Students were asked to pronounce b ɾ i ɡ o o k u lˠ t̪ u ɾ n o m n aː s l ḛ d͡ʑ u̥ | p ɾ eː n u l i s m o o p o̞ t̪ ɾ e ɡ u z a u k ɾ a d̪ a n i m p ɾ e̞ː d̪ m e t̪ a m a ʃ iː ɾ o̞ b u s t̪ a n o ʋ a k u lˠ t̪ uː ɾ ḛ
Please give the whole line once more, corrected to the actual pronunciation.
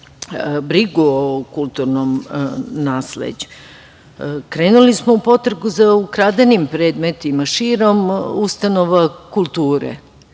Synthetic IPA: b ɾ i ɡ u o k u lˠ t̪ u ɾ n o m n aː s l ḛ d͡ʑ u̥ | k ɾ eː n u l i s m o u p o̞ t̪ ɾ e ɡ u z a u k ɾ a d̪ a n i m p ɾ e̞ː d̪ m e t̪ i m a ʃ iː ɾ o̞ m u s t̪ a n o ʋ a k u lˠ t̪ uː ɾ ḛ